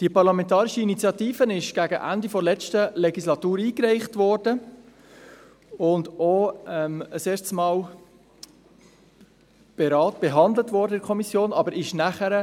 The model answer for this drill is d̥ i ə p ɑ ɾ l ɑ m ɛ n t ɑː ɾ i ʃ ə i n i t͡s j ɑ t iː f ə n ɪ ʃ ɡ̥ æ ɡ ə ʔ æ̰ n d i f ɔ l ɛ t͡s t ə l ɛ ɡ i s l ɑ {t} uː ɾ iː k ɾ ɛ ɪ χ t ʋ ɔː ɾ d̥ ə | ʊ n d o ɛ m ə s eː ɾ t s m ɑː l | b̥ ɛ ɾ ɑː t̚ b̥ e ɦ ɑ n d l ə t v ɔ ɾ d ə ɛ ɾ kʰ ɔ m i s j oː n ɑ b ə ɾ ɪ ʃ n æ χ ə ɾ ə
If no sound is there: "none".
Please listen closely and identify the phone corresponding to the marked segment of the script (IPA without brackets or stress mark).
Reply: t